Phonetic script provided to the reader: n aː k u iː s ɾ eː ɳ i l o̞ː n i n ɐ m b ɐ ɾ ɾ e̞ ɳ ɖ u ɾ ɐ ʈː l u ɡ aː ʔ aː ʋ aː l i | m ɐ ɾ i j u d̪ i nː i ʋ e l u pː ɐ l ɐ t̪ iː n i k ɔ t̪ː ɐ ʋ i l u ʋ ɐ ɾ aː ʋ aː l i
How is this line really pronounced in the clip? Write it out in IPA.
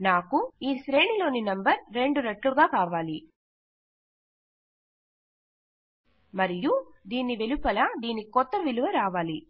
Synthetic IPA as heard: n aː k u iː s ɾ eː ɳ i l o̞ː n i n ɐ m b ɐ ɾ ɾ e̞ ɳ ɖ u ɾ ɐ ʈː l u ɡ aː k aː ʋ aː l i | m ɐ ɾ i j u d̪ iː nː i ʋ e l u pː ɐ l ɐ d̪ iː n i k ɔ t̪ː ɐ ʋ i l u ʋ ɐ ɾ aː ʋ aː l i